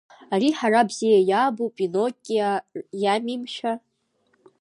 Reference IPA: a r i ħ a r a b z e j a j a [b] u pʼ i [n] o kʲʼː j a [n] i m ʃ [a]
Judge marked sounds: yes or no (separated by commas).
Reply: yes, yes, no, yes